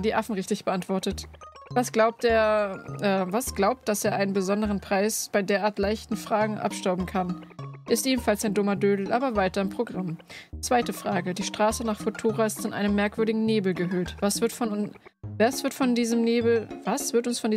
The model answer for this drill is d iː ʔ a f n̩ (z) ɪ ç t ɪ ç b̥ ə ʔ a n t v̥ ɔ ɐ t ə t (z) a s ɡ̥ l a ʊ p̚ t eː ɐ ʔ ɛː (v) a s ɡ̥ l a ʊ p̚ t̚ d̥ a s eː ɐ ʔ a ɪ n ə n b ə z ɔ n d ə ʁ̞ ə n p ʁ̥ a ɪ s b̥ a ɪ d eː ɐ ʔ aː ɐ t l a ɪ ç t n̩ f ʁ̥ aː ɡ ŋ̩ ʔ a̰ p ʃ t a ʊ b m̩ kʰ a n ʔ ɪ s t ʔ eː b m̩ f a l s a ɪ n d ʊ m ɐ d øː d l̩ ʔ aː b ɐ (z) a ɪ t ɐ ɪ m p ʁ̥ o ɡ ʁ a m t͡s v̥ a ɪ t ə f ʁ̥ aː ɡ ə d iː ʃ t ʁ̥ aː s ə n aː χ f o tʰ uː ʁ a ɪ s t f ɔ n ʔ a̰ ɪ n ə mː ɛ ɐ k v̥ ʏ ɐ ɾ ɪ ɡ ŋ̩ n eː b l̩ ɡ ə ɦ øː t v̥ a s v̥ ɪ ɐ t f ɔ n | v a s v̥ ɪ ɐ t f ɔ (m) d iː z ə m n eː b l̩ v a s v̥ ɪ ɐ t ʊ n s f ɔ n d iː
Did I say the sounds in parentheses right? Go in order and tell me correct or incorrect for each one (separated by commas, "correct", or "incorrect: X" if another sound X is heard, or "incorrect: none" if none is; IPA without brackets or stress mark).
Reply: incorrect: ʁ, incorrect: v, correct, incorrect: v, incorrect: n